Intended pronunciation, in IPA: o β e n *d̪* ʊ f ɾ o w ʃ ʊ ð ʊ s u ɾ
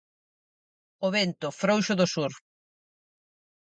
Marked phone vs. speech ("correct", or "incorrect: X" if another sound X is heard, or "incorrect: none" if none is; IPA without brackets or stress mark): incorrect: t̪